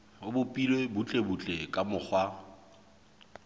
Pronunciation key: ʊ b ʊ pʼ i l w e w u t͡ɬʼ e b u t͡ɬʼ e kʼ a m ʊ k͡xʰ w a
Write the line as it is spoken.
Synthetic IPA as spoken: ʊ b ʊ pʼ i l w e b u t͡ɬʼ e b u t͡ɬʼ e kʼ a m ʊ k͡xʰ w a